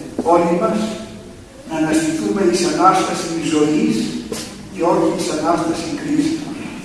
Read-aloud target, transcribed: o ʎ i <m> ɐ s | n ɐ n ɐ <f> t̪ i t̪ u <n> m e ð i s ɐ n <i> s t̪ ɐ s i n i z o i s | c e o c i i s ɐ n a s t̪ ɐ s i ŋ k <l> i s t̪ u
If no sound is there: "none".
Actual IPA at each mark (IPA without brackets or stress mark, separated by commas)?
m, s, none, a, ɾ